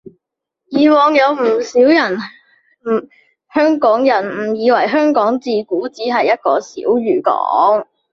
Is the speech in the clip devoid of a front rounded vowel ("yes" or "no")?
no